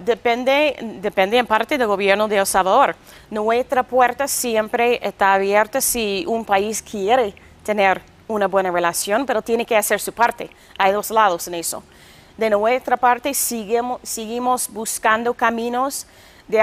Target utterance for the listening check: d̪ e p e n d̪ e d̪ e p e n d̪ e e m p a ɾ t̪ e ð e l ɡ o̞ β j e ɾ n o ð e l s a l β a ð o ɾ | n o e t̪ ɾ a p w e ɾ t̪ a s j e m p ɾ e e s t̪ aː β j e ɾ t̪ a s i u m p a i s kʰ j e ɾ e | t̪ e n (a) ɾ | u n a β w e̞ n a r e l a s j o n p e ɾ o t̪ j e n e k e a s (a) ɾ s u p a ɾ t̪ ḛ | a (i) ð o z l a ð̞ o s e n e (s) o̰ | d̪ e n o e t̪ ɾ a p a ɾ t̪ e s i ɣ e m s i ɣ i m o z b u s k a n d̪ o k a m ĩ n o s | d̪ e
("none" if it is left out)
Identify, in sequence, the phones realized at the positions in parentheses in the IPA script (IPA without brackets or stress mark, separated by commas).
e, e, j, s